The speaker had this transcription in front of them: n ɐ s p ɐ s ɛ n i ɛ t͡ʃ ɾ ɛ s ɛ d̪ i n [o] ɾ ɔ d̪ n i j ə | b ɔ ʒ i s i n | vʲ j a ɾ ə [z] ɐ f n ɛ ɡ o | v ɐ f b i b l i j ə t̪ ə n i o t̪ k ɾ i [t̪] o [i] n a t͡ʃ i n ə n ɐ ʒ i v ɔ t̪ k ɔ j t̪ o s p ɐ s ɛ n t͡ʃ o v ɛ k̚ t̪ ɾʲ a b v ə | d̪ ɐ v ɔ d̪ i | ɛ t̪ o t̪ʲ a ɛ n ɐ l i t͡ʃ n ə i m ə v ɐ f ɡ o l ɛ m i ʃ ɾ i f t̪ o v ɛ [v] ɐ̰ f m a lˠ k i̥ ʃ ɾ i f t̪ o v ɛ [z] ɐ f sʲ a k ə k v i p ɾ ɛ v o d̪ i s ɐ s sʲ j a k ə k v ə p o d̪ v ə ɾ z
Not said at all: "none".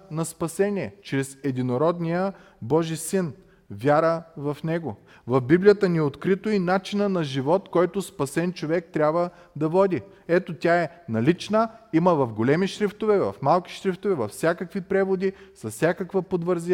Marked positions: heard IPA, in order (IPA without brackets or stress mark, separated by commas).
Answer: o, v, t̪, i, v, v